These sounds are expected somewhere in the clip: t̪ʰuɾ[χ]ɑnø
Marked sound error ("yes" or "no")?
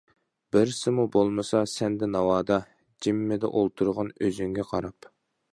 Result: yes